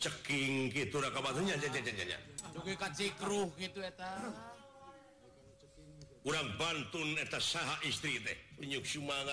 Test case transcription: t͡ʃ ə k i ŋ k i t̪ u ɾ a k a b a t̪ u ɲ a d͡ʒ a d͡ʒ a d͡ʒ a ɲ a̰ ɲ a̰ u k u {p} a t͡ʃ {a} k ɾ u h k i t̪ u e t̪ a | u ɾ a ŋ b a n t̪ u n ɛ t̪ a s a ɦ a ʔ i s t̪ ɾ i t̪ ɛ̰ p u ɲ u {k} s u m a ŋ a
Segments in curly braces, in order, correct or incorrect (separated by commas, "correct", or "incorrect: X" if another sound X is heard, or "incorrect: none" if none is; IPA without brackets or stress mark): incorrect: k, incorrect: i, correct